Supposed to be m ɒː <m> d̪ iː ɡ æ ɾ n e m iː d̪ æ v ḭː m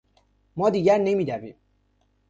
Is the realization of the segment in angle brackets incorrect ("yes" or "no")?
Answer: yes